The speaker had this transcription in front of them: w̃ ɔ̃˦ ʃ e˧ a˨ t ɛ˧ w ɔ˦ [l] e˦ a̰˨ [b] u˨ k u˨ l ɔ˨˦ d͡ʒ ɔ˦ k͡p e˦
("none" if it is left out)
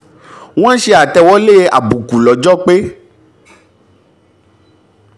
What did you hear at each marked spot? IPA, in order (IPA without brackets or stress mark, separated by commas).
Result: l, b